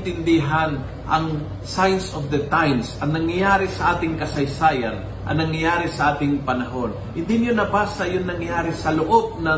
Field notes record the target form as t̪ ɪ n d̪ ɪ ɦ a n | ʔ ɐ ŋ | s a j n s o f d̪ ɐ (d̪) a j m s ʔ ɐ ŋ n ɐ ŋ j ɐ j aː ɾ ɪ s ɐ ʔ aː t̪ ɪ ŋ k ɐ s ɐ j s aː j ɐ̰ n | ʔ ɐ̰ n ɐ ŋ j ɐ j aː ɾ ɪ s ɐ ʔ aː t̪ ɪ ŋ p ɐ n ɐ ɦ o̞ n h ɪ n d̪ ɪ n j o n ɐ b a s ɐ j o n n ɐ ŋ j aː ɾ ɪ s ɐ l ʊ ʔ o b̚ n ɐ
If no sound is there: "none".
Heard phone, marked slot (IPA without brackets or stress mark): t̪